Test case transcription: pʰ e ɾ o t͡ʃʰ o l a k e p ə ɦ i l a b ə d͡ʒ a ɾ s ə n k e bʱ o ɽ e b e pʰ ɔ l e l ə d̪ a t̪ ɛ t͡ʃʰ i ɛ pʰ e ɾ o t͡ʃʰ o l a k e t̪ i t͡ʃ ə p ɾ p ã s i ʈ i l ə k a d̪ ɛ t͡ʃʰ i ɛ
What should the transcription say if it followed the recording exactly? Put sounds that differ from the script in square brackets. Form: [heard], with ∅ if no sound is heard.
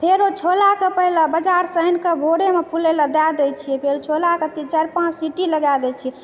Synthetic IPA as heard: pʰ e ɾ o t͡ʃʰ o l a k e p ə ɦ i l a b ə d͡ʒ a ɾ s ə n k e bʱ o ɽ e [m] e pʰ [u] l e l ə d̪ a [d̪] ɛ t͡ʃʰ i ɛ pʰ e ɾ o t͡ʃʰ o l a k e t̪ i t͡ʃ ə [∅] ɾ p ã s i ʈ i l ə [ɡ] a d̪ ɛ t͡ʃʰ i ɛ